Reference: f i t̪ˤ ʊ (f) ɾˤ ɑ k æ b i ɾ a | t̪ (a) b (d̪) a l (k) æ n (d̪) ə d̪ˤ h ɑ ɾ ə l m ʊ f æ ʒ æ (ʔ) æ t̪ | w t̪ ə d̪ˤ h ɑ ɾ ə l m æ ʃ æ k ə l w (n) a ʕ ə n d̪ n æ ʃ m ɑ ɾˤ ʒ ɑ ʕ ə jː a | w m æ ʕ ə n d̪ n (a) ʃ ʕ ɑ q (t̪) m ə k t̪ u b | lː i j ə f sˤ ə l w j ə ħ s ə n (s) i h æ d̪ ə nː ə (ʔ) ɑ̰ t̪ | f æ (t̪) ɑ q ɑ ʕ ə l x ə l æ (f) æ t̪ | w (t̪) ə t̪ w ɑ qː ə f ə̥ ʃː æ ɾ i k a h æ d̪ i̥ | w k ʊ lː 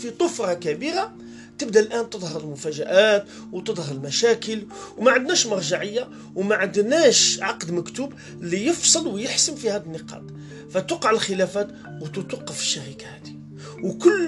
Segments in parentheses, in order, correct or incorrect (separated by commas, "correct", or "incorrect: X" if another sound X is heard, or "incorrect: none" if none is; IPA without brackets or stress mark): correct, incorrect: ə, correct, incorrect: ʔ, incorrect: t̪, correct, incorrect: m, incorrect: æ, incorrect: d̪, incorrect: f, incorrect: q, correct, correct, correct